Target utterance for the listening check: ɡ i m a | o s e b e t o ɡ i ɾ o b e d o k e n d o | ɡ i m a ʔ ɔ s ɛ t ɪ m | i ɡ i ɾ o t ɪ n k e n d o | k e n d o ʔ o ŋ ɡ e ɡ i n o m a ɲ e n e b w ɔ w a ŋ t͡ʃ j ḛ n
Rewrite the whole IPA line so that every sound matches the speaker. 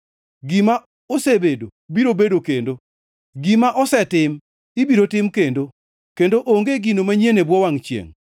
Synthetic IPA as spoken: ɡ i m a | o s e b e d o b i ɾ o b e d o k e n d o | ɡ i m a ʔ ɔ s ɛ t ɪ m | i b i ɾ o t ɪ m k e n d o | k e n d o ʔ o ŋ ɡ e ɡ i n o m a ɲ e n e b w ɔ w a ŋ t͡ʃ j ḛ ŋ